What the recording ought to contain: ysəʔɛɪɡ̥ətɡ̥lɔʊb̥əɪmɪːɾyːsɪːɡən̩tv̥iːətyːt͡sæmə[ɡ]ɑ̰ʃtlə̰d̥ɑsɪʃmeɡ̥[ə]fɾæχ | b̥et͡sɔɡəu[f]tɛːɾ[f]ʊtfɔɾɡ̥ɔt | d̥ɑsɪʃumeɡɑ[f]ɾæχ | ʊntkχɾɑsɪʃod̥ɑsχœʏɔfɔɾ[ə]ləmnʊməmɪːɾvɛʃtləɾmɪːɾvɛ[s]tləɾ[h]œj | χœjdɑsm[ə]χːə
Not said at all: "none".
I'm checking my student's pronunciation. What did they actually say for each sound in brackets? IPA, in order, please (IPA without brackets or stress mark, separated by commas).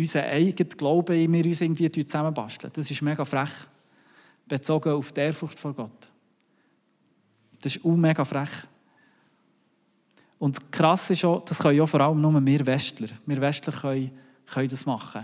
b, ɑ, f, f, f, ɑ, ʃ, χ, ɑ